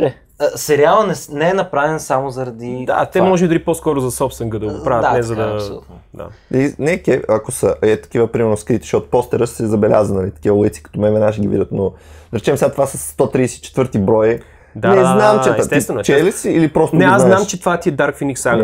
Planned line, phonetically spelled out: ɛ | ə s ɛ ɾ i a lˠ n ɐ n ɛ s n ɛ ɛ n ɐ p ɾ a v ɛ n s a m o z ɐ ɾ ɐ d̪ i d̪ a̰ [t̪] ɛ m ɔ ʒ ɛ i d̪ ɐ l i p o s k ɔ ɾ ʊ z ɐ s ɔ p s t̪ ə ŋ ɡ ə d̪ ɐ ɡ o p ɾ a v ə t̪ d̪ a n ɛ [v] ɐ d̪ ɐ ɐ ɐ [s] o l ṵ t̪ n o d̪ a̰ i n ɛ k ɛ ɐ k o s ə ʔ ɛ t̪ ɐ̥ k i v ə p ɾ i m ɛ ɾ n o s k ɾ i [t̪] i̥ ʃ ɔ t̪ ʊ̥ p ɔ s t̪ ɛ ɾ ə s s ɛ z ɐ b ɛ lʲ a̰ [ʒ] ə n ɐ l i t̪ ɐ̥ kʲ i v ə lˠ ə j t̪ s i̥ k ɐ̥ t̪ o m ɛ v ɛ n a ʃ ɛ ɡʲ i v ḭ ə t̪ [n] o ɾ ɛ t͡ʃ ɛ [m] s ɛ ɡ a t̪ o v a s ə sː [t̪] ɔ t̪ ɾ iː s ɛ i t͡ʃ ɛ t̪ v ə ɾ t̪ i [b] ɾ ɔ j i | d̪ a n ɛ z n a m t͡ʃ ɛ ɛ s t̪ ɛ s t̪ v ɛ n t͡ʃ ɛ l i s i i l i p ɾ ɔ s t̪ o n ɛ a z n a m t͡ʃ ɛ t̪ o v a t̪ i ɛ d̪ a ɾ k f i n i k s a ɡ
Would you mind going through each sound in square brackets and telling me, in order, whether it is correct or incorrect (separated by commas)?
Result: correct, incorrect, correct, correct, incorrect, correct, correct, correct, correct